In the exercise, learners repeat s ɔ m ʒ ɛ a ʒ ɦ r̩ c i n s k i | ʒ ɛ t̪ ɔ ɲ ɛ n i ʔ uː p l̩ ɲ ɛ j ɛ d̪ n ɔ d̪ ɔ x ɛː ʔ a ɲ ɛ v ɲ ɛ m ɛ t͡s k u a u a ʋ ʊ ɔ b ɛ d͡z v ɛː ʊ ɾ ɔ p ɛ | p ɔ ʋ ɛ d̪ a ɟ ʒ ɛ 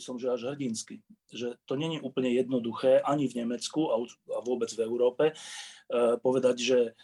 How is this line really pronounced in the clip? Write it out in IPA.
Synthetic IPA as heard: s ɔ m ʒ ɛ a ʒ ɦ r̩ ɟ i n s k i | ʒ ɛ t̪ ɔ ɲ ɛ ɲ i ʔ uː p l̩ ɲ ɛ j ɛ d̪ n ɔ d̪ u x ɛː ʔ a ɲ i v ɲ ɛ m ɛ t͡s k u a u a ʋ ʊ ɔ b ɛ d͡z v ɛ ʊ ɾ ɔː p ɛ | p ɔ ʋ ɛ d̪ a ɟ ʒ ɛ